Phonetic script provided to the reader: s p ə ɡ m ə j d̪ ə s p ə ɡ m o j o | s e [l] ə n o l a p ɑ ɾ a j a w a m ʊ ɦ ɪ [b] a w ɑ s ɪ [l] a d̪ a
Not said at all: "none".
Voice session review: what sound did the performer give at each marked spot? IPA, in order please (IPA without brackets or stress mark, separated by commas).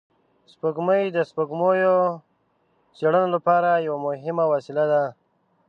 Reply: ɽ, m, l